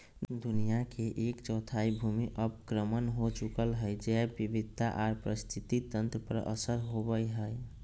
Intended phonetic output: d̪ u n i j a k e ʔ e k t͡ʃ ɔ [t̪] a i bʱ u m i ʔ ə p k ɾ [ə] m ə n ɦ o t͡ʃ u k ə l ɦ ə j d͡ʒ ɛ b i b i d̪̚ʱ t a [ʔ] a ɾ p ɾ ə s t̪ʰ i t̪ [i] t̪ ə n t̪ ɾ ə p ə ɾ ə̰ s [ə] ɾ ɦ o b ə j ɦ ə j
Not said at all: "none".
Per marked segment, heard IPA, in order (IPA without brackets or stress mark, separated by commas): t̪ʰ, ə, ʔ, i, ə